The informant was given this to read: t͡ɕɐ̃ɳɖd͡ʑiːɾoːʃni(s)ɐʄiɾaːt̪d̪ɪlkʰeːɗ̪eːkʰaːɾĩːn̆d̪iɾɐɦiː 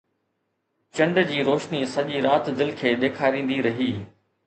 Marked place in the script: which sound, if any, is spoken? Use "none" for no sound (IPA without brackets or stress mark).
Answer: s